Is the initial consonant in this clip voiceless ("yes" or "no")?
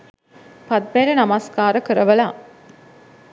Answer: yes